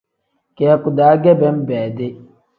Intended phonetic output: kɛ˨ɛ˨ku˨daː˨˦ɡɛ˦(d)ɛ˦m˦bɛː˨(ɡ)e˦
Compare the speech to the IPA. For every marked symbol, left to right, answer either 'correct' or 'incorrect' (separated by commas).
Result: incorrect, incorrect